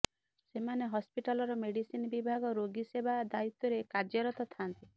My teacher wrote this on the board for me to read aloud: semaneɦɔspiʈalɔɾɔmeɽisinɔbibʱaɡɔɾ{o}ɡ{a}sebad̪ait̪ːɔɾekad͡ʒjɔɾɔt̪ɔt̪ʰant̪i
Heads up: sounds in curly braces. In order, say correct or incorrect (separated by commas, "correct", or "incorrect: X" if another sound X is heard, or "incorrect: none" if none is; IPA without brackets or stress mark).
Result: correct, incorrect: i